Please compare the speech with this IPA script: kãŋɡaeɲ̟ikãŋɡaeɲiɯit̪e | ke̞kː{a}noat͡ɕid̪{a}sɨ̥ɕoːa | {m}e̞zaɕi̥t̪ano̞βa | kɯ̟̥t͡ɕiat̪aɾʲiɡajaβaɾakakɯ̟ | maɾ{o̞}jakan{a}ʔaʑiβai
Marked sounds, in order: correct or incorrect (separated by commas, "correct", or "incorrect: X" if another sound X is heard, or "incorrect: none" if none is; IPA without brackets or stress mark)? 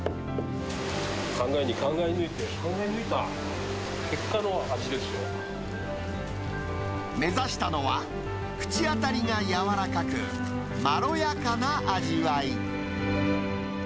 correct, incorrect: e, correct, correct, correct